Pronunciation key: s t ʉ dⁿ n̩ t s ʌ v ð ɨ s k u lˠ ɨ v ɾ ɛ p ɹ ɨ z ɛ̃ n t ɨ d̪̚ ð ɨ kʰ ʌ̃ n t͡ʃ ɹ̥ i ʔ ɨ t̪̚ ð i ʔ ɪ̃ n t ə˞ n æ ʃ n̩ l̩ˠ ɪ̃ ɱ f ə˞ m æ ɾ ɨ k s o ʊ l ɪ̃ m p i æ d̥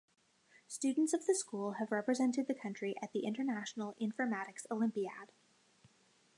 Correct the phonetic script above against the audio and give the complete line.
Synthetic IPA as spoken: s t ʉ dⁿ n̩ t s ʌ v ð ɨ s k u lˠ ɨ v ɹ ɛ p ɹ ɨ z ɛ̃ n t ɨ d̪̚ ð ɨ kʰ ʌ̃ n t͡ʃ ɹ̥ i ʔ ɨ t̪̚ ð i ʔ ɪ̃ n t ə˞ n æ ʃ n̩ l̩ˠ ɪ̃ ɱ f ə˞ m æ ɾ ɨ k s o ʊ l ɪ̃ m p i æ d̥